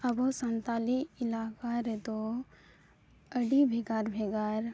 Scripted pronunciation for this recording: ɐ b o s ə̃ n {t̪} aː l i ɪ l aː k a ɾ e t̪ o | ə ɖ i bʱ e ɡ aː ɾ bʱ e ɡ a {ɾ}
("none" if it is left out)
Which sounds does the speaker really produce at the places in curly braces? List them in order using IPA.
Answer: t̪, ɾ

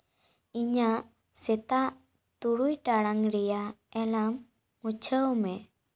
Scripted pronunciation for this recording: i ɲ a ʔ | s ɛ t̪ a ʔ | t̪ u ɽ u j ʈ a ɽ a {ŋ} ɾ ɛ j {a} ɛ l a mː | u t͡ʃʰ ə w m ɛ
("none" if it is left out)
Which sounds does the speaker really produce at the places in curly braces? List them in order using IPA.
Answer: ŋ, a

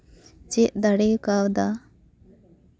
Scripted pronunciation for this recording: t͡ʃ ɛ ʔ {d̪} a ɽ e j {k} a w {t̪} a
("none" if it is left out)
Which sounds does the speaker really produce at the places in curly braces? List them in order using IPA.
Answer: d̪, k, d̪

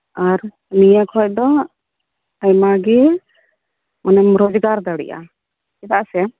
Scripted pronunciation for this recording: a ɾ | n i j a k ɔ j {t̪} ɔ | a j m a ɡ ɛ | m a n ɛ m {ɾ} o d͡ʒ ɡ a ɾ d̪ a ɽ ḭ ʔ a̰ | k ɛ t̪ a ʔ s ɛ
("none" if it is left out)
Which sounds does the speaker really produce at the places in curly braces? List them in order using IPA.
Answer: d̪, ɾ

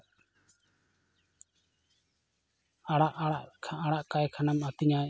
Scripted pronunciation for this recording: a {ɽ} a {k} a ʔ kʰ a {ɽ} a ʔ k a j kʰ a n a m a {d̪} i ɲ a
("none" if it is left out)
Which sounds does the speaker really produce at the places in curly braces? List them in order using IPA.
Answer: ɽ, ʔ, ɽ, t̪

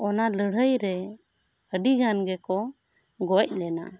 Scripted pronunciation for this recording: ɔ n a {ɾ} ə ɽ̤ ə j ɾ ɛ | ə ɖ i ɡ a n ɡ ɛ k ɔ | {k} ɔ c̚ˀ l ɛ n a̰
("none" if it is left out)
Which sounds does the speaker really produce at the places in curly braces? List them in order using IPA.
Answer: l, ɡ

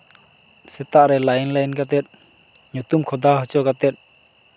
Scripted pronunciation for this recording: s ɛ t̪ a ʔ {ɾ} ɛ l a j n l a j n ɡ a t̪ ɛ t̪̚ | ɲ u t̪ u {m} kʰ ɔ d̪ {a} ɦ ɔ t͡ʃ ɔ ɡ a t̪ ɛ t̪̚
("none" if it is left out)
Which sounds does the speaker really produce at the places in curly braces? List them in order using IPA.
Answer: ɾ, m, a

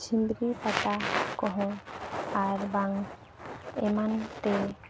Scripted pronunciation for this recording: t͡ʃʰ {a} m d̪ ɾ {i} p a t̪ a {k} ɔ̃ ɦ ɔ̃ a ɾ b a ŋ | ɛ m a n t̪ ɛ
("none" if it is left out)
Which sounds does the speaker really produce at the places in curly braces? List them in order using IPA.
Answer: i, i, k

